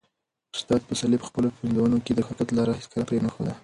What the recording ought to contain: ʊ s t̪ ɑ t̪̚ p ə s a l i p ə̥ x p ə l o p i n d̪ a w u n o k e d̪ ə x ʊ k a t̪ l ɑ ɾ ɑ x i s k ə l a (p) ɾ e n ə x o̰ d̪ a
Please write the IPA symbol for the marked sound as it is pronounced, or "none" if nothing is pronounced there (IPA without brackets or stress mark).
p